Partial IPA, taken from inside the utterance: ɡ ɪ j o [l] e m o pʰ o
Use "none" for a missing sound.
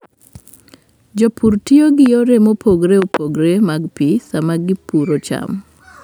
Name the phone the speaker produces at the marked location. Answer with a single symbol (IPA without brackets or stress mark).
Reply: ɾ